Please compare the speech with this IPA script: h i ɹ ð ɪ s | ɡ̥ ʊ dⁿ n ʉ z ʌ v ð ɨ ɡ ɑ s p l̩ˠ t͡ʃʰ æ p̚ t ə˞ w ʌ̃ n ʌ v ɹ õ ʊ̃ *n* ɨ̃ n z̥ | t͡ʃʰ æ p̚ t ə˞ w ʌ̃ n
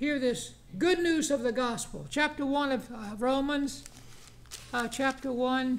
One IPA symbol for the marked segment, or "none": m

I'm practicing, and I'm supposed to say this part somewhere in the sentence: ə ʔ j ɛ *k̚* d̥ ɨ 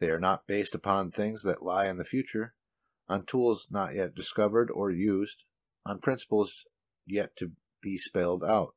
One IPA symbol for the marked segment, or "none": t̚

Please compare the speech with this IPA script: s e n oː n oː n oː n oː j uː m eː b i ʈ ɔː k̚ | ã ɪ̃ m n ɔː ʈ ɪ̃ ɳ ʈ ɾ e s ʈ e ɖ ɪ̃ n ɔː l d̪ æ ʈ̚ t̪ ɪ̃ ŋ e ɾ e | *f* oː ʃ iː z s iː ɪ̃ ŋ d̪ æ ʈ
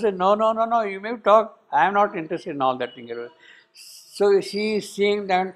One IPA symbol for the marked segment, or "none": s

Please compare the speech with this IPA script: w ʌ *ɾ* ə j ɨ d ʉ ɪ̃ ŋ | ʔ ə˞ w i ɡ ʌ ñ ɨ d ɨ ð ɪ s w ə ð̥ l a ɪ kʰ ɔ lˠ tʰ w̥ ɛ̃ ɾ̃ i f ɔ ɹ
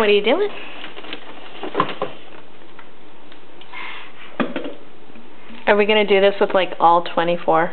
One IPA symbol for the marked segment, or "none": ɾ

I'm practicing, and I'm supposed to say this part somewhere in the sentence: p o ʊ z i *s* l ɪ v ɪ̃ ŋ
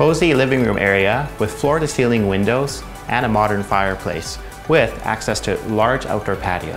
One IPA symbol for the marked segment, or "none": none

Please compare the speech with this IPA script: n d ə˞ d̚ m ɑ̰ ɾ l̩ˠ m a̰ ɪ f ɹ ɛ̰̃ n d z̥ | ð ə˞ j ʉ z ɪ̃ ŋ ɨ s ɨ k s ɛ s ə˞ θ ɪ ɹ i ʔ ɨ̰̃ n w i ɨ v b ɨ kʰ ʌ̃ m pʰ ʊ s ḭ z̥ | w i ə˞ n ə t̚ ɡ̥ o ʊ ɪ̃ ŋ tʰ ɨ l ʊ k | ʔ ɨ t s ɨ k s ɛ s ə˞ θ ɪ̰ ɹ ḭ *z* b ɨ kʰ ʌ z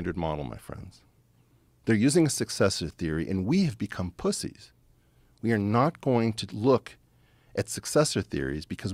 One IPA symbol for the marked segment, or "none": z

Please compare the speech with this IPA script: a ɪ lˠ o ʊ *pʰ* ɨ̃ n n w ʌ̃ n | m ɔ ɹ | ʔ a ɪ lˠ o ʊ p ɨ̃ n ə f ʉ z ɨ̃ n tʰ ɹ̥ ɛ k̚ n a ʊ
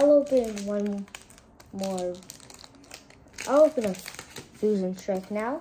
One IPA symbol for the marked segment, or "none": p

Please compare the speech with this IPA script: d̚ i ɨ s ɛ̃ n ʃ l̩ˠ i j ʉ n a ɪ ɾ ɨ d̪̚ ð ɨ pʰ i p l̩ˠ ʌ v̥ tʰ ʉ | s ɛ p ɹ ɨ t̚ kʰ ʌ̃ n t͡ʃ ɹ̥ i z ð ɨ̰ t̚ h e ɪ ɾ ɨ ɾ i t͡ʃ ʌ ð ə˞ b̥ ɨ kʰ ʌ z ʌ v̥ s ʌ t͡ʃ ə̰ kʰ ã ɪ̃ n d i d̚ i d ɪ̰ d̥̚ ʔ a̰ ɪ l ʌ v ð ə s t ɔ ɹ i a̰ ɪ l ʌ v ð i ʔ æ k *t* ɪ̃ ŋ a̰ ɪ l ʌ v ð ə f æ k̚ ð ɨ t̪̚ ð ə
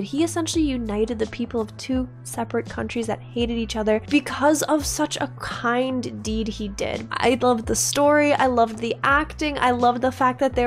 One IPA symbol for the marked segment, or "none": t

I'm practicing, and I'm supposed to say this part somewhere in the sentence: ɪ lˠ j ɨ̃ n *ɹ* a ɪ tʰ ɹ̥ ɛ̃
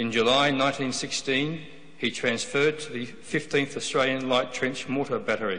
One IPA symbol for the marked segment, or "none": l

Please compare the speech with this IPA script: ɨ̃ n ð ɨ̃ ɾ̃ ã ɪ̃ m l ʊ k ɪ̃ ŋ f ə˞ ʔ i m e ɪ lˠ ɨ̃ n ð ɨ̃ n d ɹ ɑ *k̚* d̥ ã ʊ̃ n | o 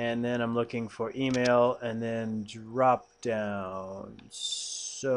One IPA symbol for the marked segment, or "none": p̚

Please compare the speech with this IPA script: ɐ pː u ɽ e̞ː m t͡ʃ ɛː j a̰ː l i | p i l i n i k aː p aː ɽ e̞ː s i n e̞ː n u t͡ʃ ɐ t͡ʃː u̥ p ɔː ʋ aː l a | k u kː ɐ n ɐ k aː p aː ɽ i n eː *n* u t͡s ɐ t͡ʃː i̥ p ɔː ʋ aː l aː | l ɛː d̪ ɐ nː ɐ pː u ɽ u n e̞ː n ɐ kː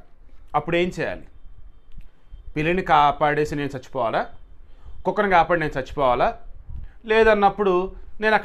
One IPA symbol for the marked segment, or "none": n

